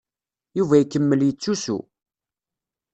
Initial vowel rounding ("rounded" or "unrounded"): rounded